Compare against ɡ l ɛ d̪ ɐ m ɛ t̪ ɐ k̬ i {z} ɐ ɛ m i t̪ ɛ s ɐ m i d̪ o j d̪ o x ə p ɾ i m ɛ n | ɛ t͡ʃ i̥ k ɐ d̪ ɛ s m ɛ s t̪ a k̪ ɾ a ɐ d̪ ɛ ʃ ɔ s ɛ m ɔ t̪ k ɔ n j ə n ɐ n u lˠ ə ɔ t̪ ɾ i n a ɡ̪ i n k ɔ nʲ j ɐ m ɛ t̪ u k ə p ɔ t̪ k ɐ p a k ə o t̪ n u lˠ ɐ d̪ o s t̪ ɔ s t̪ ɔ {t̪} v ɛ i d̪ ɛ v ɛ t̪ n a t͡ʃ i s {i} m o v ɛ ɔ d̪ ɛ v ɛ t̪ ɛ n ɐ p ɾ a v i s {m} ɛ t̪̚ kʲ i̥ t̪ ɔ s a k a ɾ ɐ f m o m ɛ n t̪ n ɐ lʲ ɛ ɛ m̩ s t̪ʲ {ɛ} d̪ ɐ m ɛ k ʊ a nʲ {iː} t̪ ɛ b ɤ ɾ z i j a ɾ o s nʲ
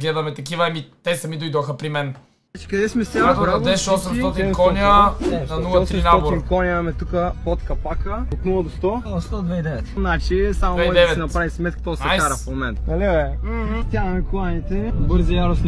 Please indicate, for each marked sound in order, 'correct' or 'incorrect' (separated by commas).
incorrect, incorrect, incorrect, correct, incorrect, incorrect